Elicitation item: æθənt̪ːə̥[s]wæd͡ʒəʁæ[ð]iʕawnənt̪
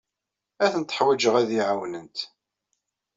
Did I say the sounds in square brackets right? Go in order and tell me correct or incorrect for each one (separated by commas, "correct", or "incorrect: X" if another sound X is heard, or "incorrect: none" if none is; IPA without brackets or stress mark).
incorrect: ħ, correct